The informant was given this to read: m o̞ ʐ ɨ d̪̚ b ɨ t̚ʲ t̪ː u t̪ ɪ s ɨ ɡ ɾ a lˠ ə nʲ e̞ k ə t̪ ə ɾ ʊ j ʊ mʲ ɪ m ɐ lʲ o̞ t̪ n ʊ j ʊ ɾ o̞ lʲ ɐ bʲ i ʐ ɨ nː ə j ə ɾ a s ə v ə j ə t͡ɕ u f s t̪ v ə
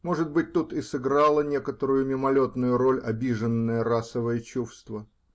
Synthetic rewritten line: m o̞ ʐ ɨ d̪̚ b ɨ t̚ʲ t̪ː u t̪ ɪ s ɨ ɡ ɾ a lˠ ə nʲ e̞ k ə t̪ ə ɾ ʊ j ʊ mʲ ɪ m ɐ lʲ o̞ t̪ n ʊ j ʊ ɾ o̞ lʲ ɐ bʲ i ʐ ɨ nː ə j ə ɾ a s ə v ə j ə t͡ɕ u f s t̪ v ə